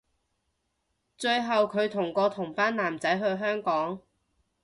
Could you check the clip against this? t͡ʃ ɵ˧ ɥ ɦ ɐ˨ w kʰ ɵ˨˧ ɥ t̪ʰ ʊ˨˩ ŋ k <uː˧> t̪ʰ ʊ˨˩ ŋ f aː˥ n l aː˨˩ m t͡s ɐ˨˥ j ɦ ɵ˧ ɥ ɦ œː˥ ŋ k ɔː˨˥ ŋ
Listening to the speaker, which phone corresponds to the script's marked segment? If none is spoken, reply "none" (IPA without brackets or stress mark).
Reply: ɔː˧